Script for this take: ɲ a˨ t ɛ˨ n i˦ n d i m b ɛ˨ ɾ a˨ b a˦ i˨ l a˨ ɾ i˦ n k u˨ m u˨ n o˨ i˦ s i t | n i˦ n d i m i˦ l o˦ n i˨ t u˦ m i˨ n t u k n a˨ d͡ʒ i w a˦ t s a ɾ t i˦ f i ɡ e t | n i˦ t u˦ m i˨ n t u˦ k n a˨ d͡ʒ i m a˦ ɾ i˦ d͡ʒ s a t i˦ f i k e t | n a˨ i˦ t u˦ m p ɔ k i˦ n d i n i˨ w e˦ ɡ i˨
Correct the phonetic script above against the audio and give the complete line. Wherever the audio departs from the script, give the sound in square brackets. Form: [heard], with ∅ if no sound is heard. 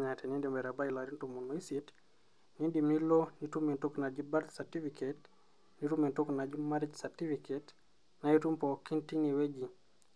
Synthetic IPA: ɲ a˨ t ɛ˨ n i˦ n d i m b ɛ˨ ɾ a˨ b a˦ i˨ l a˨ ɾ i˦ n [t] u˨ m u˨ n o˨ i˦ s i t | n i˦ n d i m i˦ l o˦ n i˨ t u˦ m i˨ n t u k n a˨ d͡ʒ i [b] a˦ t s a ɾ t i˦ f i [k] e t | n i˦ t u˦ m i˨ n t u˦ k n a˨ d͡ʒ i m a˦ ɾ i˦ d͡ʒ s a t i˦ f i k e t | n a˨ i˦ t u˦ m p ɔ k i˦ n [t] i n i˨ w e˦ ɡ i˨